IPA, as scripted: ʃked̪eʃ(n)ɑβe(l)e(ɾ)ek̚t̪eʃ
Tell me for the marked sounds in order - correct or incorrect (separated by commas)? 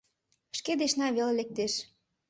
correct, correct, incorrect